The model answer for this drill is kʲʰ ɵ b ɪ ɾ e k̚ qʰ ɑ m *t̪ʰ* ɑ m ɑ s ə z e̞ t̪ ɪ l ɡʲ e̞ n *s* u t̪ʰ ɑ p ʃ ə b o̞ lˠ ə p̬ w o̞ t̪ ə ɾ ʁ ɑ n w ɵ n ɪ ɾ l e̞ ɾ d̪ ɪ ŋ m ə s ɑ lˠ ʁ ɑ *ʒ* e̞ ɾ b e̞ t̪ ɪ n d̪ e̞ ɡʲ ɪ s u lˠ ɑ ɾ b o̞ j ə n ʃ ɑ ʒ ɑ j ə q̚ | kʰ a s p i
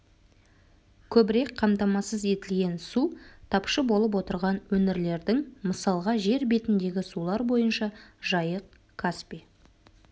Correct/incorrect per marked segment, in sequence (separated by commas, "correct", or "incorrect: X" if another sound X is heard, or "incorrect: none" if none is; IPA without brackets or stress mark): incorrect: t̪, correct, correct